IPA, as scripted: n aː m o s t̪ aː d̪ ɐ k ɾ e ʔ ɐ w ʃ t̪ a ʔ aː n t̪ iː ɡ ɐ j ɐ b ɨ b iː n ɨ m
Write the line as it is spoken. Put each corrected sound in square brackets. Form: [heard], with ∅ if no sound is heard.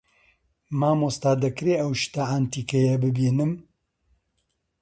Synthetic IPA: [m] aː m o s t̪ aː d̪ ɐ k ɾ e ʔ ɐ w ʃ t̪ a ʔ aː n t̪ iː [k] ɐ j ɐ b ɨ b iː n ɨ m